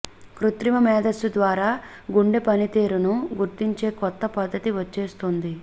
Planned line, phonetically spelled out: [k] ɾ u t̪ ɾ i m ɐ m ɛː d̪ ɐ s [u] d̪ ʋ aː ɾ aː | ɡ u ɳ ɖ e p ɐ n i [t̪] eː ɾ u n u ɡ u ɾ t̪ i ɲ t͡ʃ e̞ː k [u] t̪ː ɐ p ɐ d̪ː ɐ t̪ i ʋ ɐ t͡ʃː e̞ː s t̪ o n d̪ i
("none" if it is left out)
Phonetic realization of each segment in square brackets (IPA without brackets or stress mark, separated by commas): k, u, t̪, ɔ